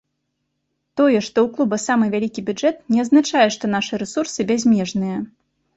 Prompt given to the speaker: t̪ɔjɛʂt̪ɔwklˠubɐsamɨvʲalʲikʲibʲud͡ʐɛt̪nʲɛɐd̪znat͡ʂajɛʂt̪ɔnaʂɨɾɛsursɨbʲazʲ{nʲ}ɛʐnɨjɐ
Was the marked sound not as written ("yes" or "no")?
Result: yes